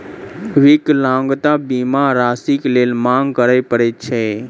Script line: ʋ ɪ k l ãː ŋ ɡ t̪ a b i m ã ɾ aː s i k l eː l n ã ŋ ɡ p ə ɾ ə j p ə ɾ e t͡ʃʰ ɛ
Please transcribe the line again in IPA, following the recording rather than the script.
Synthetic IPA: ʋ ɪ k l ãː ŋ ɡ t̪ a b i m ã ɾ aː s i k l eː l m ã ŋ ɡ k ə ɾ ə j p ə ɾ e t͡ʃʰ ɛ